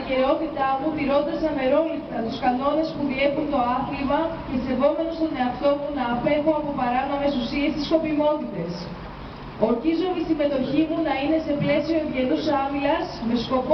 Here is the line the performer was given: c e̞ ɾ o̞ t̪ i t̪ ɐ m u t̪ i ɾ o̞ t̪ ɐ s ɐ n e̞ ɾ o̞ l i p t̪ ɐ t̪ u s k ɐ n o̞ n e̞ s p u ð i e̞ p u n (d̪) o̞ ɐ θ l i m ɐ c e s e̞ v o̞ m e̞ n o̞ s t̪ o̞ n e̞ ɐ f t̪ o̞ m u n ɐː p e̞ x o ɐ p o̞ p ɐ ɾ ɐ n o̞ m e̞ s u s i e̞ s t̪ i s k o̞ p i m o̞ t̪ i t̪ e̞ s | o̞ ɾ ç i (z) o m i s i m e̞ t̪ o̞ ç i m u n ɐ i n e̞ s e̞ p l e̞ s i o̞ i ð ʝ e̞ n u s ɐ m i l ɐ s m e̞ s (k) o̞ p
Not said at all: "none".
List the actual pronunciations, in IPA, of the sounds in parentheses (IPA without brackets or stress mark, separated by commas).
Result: t̪, z, k